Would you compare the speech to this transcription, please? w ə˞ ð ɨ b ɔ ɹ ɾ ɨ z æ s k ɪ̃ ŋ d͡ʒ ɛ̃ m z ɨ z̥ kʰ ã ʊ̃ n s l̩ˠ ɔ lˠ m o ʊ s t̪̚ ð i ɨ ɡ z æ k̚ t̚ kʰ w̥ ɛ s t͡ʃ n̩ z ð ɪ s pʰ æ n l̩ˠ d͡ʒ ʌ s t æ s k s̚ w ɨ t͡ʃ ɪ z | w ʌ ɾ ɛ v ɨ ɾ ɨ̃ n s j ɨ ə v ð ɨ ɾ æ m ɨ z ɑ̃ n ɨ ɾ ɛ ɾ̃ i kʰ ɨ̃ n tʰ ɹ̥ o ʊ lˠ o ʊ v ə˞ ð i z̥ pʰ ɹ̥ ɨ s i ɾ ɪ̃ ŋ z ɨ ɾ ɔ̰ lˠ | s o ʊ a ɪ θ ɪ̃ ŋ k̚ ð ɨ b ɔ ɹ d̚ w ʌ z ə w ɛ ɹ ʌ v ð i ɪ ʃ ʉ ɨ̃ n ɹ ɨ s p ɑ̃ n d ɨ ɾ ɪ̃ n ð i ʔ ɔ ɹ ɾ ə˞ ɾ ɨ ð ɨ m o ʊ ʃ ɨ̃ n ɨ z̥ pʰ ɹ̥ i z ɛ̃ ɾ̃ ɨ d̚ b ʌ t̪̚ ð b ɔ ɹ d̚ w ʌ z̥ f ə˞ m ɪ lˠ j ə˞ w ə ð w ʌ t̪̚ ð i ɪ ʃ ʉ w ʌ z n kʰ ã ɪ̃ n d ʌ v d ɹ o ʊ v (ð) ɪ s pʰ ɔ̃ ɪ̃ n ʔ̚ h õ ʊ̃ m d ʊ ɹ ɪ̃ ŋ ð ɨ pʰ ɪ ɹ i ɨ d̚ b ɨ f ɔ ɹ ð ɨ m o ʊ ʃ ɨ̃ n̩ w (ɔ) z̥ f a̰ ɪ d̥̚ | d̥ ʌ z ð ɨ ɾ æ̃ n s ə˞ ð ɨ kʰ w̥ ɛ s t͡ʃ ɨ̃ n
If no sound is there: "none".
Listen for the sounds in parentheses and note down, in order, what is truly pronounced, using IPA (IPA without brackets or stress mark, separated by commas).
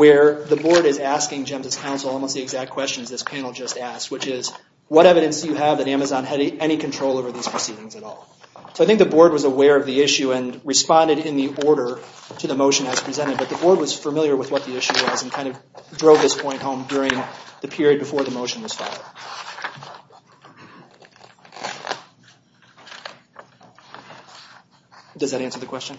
ð, ʌ